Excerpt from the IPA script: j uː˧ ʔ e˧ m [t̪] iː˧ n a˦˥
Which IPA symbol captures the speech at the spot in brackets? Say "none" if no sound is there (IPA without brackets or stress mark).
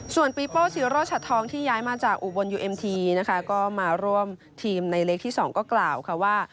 t̪ʰ